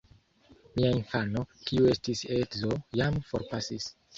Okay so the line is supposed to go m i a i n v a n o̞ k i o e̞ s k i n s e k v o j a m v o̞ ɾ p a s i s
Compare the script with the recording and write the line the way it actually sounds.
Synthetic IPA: m i a i n f a n o̞ k i u e̞ s t i s e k z o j a m f o̞ ɾ p a s i s